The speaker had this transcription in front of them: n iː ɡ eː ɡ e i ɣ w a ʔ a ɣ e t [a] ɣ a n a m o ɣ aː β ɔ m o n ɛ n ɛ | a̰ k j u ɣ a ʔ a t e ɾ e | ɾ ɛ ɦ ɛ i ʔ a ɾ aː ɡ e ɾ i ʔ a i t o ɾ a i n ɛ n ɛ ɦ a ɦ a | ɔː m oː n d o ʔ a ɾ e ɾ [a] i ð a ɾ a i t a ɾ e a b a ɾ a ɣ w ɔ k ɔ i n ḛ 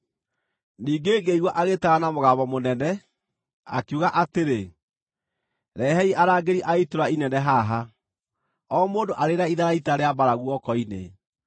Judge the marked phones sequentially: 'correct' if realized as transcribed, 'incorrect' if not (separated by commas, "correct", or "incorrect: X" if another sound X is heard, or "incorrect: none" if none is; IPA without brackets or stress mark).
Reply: correct, correct